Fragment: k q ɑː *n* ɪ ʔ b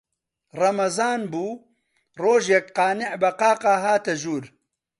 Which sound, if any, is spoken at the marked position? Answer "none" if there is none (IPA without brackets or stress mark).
n